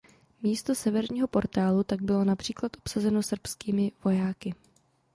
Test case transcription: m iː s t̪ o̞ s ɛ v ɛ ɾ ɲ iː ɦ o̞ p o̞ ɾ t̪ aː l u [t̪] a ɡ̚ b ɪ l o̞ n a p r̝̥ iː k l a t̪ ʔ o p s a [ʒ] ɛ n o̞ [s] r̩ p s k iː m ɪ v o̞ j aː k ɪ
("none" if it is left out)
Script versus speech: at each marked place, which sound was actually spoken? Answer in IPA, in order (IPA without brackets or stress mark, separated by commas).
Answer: t̪, z, s